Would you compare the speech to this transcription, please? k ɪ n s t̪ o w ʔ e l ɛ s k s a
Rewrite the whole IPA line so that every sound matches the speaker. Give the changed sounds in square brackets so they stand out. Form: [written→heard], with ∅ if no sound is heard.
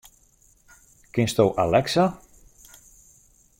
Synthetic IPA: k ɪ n s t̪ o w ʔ [e→a] l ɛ [s→∅] k s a